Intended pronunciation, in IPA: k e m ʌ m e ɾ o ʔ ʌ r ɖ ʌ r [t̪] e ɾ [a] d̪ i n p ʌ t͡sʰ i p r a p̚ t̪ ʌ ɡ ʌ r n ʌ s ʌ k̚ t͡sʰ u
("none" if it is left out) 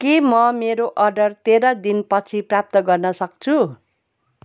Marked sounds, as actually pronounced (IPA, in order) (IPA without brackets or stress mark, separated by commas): t̪, ʌ